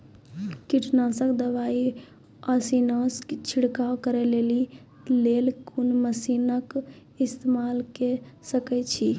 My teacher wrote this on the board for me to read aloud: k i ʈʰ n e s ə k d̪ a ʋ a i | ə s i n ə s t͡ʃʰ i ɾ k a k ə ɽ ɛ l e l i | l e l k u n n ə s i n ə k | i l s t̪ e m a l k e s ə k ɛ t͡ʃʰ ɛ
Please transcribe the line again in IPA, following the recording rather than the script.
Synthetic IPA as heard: k i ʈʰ n a s ə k d̪ ə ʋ a i | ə s i n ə s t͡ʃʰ i ɽ k a k ə ɾ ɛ l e l i | l e l k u n m ə s i n ə k | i s t̪ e m a l k e s ə k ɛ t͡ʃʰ i